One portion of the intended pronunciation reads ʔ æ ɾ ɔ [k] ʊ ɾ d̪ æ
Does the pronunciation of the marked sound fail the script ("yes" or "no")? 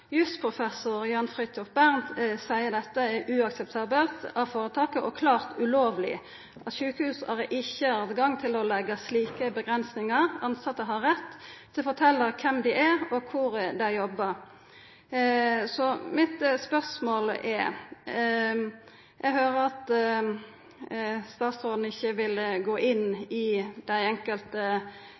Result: yes